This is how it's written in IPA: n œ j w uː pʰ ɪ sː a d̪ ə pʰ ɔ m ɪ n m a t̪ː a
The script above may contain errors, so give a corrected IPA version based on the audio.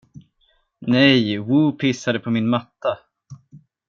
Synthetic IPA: n ɛ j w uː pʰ ɪ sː a d̪ ə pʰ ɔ m ɪ n m a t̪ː a